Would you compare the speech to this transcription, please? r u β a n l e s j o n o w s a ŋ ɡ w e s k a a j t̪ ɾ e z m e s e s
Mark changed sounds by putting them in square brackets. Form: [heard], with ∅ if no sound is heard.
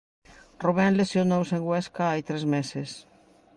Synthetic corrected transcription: r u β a n l e s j o n o w s [e] ŋ ɡ w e s k a a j t̪ ɾ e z m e s e s